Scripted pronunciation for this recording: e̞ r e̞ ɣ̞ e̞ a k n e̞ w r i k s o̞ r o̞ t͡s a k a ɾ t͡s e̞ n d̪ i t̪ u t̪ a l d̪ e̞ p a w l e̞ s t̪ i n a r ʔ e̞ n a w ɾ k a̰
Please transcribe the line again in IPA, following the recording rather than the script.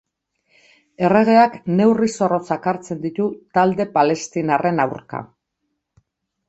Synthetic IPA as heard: e̞ r e̞ ɣ̞ e̞ a k n e̞ w r i s o̞ r o̞ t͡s a k a ɾ t͡s e̞ n d̪ i t̪ u t̪ a l d̪ e̞ p a l e̞ s t̪ i n a r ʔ e̞ n a w ɾ k a̰